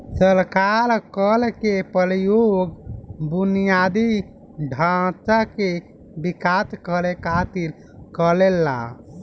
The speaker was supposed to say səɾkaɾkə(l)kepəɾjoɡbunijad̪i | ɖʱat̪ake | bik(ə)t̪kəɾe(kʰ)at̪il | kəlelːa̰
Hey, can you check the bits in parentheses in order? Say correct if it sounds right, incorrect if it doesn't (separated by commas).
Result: correct, incorrect, incorrect